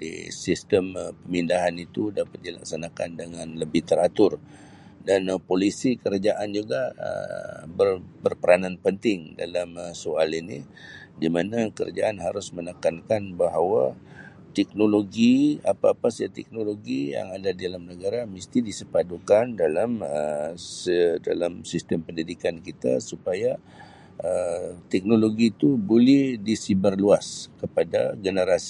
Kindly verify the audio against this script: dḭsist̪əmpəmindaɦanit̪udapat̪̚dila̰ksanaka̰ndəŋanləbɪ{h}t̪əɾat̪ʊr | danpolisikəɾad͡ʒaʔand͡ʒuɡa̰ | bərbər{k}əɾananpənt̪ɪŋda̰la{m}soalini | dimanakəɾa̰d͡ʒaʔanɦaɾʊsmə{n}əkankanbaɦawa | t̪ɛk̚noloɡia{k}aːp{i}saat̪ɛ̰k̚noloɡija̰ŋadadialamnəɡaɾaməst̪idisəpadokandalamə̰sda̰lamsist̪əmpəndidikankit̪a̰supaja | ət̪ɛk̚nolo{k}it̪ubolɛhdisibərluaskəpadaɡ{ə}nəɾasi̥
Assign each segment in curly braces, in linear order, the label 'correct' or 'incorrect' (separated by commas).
correct, incorrect, correct, correct, incorrect, incorrect, incorrect, correct